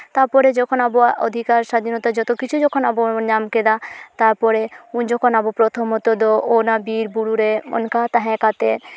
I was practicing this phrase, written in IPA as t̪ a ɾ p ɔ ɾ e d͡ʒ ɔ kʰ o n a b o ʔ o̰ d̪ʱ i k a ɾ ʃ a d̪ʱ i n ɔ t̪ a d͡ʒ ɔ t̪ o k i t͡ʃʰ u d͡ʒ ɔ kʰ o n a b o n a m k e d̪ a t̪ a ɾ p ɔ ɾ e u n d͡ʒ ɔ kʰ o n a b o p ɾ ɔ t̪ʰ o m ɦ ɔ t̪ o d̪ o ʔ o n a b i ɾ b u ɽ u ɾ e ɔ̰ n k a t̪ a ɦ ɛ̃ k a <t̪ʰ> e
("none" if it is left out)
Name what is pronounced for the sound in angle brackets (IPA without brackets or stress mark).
t̪